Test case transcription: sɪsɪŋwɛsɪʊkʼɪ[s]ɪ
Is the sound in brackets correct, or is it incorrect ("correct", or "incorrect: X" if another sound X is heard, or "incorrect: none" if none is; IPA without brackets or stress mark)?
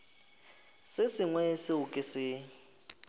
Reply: correct